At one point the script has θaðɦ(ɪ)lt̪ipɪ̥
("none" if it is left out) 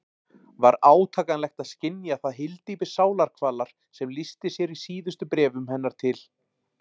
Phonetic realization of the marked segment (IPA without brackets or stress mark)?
ɪ